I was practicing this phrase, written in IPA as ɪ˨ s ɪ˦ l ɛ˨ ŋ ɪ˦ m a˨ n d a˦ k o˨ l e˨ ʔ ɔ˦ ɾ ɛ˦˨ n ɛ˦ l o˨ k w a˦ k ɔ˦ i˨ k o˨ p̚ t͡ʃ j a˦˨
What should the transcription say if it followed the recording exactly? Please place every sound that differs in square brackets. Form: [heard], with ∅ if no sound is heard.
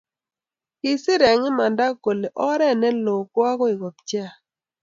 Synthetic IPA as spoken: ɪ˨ s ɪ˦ [ɾ] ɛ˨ ŋ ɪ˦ m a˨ n d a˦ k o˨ l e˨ ʔ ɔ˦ ɾ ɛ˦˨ n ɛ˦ l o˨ k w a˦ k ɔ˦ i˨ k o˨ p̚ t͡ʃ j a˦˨